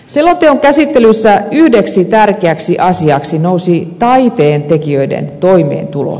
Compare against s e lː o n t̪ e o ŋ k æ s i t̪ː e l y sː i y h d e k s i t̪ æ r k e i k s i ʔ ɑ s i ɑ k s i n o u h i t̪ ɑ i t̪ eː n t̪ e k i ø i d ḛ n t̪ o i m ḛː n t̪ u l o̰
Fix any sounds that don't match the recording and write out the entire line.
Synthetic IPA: s e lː o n t̪ e o ŋ k æ s i t̪ː e l y sː æ y h d e k s i t̪ æ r k e æ k s i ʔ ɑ s i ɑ k s i n o u s i t̪ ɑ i t̪ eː n t̪ e k i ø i d ḛ n t̪ o i m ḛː n t̪ u l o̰